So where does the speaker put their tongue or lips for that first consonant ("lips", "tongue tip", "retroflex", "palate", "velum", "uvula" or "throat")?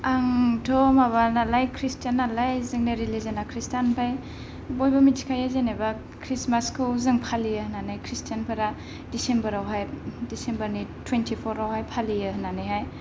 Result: velum